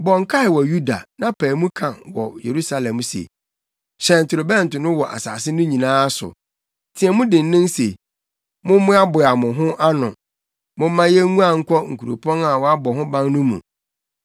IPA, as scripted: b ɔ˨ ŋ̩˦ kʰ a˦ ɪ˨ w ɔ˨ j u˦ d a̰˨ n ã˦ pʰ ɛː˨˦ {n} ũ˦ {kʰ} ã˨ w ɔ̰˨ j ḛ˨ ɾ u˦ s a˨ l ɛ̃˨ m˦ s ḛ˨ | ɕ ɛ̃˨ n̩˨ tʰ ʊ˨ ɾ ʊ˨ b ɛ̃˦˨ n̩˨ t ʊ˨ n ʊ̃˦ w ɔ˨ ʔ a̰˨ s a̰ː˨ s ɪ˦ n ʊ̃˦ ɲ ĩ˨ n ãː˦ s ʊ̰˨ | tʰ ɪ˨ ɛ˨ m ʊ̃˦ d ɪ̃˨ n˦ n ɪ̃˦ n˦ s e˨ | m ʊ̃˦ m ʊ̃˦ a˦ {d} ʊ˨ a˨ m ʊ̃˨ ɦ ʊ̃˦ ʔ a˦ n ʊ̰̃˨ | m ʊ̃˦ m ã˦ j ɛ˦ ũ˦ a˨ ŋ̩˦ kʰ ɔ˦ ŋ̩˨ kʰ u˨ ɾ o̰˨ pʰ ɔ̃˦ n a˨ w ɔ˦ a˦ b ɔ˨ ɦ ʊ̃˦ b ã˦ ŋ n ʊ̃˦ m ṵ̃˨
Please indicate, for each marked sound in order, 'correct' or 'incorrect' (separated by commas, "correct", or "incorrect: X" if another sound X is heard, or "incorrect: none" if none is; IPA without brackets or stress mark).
incorrect: m, correct, incorrect: b